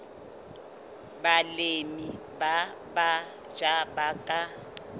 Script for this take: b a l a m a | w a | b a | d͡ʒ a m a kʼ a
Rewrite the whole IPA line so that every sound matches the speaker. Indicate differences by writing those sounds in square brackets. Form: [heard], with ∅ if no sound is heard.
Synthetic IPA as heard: b a l [e] m [i] | [b] a | b a | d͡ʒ a [b] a kʼ a